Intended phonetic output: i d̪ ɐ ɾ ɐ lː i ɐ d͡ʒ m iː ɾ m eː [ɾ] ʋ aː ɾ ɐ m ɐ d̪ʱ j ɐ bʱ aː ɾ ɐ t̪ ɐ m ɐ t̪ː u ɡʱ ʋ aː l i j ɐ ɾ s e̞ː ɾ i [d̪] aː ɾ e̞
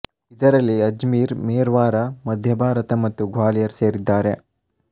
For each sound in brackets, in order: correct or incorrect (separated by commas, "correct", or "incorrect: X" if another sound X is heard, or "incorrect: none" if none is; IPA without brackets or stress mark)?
correct, incorrect: d̪ː